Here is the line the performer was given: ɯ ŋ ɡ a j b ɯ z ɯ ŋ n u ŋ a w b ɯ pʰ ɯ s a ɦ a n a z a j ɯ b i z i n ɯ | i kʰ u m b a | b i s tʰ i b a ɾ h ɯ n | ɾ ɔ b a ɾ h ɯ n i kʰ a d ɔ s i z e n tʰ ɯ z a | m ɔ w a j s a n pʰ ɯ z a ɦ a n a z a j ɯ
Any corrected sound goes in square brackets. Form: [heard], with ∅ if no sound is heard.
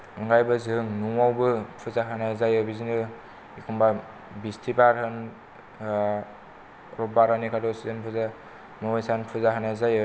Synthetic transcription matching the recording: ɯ ŋ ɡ a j b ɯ z ɯ ŋ n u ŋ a w b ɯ pʰ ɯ [z] a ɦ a n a z a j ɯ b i z i n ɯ | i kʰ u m b a | b i s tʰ i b a ɾ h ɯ n | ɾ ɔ b a ɾ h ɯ n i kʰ a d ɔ s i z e n [pʰ] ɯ z a | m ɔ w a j s a n pʰ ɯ z a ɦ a n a z a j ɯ

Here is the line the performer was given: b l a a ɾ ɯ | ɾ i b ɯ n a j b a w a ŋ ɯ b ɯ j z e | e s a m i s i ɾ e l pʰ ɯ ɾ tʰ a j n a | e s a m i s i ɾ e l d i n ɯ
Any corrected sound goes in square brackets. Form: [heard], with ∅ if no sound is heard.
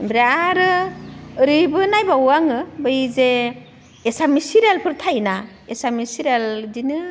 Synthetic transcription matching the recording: b [ɾ] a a ɾ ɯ | ɾ i b ɯ n a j b a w a ŋ ɯ b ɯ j z e | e s a m i s i ɾ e l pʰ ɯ ɾ tʰ a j n a | e s a m i s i ɾ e l d i n ɯ

